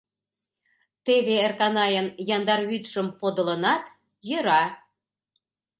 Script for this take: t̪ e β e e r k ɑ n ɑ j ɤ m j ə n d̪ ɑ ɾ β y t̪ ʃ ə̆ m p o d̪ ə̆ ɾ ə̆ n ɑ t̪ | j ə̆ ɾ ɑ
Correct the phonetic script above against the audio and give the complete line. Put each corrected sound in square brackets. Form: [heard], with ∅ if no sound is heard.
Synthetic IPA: t̪ e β e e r k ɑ n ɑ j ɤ [n] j [ɑ] n d̪ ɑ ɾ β y t̪ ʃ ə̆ m p o d̪ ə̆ [l] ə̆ n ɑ t̪ | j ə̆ ɾ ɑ

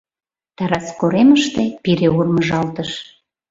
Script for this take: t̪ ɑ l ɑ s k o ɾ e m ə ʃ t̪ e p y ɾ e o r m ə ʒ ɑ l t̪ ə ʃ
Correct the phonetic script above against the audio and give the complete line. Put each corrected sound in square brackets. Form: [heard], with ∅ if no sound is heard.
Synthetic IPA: t̪ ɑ [ɾ] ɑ s k o ɾ e m ə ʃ t̪ e p [i] ɾ e [u] r m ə ʒ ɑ l t̪ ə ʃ

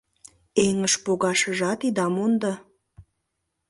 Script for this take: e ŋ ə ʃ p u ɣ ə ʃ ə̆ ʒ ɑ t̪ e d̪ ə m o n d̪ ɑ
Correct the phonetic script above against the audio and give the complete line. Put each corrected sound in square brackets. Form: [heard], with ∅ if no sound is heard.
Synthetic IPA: e ŋ ə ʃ p [o] ɣ [ɑ] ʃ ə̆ ʒ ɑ t̪ [i] d̪ [ɑ] m o n d̪ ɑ

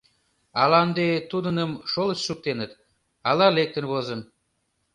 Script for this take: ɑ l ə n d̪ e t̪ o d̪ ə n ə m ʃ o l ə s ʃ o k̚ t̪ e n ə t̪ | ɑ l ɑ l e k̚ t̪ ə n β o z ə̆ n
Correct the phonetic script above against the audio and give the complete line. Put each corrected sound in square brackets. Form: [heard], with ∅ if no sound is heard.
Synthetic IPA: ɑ l [ɑ] n d̪ e t̪ [u] d̪ ə n ə m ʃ o l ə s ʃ [u] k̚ t̪ e n ə t̪ | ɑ l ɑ l e k̚ t̪ ə n β o z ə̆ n

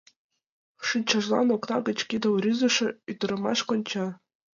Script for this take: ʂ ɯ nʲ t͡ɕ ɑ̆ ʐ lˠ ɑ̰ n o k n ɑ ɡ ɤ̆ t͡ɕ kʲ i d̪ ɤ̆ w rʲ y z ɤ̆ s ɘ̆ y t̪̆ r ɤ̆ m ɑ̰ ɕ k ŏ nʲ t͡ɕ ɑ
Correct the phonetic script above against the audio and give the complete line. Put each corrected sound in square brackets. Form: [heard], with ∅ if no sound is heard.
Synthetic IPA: ʂ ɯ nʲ t͡ɕ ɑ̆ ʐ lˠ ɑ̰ n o k n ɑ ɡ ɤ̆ t͡ɕ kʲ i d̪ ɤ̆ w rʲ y z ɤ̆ [ʂ] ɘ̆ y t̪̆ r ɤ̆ m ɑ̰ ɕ k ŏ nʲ t͡ɕ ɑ

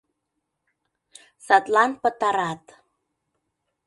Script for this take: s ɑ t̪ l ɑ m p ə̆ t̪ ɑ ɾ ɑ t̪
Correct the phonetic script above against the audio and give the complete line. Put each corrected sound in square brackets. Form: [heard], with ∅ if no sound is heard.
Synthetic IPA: s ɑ t̪ l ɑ [n] p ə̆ t̪ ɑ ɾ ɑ t̪

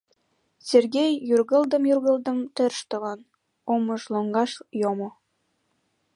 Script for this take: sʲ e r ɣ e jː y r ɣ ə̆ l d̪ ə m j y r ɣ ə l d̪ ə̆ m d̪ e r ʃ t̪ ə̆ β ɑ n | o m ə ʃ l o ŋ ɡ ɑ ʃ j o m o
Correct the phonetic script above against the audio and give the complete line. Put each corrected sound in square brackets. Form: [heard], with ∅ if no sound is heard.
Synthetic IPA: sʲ e r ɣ e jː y r ɣ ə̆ l d̪ ə m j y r ɣ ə l d̪ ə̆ m [t̪] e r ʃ t̪ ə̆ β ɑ n | o m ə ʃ l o ŋ ɡ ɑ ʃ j o m o

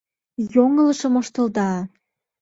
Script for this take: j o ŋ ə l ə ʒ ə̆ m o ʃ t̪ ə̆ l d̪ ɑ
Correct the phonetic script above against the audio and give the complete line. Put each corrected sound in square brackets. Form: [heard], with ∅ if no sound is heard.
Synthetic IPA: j o ŋ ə l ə [ʃ] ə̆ m o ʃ t̪ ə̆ l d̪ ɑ

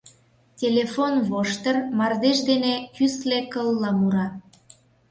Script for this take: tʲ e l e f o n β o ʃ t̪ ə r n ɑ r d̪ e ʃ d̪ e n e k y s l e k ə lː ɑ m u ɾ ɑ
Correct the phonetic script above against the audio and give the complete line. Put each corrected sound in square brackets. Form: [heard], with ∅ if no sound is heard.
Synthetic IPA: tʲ e l e f o n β o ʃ t̪ ə r [m] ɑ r d̪ e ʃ d̪ e n e k y s l e k ə lː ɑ m u ɾ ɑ

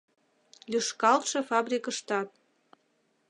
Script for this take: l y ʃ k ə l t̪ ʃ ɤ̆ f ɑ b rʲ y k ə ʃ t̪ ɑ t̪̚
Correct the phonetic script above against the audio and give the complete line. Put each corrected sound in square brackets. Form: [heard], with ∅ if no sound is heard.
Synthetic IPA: l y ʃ k [ɑ] l t̪ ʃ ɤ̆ f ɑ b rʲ [i] k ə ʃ t̪ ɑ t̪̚

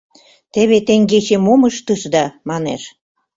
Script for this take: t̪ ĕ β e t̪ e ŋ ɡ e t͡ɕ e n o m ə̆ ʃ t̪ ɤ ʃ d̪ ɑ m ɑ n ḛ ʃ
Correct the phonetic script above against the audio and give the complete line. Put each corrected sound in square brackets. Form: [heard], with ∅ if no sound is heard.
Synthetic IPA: t̪ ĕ β e t̪ e ŋ ɡ e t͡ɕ e [m] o m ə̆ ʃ t̪ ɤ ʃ d̪ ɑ m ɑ n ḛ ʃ

